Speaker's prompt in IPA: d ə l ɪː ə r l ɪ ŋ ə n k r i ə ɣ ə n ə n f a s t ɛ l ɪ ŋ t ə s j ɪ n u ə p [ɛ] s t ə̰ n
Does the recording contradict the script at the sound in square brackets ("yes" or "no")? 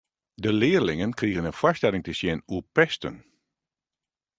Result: no